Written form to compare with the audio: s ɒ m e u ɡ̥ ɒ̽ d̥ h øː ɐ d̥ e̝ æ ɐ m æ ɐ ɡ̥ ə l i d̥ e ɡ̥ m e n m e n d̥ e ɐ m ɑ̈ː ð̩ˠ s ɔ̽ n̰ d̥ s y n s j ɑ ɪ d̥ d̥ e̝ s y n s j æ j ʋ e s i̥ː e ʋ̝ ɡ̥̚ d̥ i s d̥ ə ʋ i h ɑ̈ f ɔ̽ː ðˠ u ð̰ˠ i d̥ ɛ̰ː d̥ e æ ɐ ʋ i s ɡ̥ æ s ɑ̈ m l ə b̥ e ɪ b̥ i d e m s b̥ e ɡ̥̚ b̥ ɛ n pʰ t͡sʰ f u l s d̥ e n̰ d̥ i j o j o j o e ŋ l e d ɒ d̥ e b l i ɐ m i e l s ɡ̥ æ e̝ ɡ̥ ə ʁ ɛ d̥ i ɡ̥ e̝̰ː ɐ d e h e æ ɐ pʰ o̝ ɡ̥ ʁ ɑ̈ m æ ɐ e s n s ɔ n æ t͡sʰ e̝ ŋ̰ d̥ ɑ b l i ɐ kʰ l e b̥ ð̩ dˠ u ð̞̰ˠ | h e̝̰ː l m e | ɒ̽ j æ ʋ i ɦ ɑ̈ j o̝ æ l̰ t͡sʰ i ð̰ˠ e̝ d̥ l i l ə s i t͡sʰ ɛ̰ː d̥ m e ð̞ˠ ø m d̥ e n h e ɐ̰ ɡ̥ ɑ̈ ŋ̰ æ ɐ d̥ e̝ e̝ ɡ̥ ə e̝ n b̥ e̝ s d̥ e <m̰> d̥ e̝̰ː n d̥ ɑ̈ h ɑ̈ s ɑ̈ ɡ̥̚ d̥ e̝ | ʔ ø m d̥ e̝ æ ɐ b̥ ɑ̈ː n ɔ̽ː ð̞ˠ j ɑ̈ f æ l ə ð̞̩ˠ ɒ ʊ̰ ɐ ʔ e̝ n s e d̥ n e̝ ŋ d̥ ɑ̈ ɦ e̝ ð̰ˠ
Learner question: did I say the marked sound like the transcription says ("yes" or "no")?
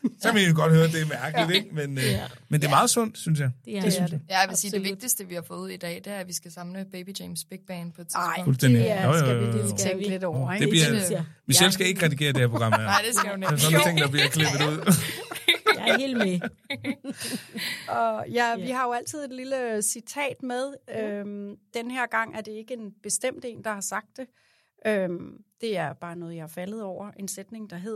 yes